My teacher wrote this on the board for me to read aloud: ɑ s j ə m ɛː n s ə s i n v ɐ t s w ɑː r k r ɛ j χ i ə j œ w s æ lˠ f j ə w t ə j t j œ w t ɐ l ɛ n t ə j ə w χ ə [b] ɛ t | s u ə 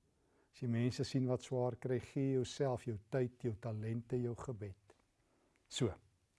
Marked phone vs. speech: correct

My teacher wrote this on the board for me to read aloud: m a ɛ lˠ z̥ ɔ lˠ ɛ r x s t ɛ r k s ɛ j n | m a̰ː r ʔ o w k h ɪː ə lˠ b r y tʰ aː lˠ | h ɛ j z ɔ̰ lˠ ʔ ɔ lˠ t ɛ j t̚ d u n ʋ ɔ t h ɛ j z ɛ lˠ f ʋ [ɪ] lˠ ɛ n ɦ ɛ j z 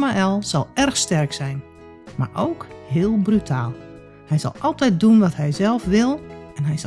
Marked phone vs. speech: correct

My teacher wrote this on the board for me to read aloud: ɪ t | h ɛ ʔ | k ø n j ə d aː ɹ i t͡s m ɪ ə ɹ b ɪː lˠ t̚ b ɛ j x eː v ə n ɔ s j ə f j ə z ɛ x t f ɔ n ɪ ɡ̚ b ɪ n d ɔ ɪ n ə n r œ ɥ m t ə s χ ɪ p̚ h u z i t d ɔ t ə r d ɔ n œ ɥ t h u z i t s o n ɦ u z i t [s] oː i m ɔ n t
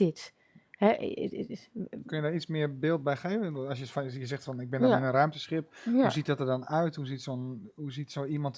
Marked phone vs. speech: correct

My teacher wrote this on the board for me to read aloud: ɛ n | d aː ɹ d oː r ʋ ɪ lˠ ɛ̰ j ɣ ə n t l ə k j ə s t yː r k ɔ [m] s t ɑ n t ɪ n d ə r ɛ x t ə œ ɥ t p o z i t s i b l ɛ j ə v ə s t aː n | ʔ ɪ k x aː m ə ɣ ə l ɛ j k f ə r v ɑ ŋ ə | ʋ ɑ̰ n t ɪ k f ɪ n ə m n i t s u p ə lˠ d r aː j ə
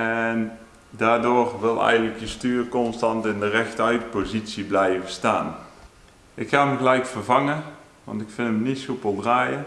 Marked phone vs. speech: incorrect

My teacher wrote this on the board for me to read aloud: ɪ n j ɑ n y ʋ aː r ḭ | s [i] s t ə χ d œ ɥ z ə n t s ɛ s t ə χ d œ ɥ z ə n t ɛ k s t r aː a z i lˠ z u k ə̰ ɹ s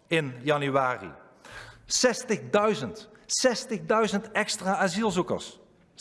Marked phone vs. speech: incorrect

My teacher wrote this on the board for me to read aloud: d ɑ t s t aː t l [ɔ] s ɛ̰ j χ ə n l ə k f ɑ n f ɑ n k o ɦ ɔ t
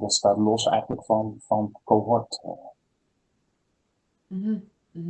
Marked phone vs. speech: correct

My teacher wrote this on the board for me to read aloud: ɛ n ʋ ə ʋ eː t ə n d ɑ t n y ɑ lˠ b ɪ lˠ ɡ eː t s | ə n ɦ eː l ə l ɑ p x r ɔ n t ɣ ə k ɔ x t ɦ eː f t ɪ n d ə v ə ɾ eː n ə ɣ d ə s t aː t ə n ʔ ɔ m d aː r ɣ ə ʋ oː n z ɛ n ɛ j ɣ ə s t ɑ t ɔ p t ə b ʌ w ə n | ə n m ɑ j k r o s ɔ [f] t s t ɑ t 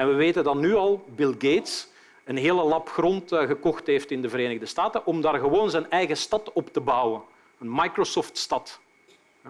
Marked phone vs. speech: correct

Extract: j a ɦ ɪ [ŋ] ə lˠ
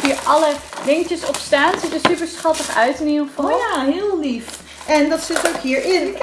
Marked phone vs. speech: incorrect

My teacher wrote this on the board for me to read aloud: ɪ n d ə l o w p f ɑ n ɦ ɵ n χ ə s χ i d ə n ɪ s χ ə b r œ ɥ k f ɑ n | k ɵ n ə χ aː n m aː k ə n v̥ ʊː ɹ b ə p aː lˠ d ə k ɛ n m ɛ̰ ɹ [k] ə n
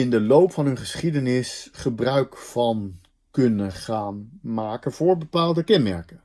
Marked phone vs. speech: correct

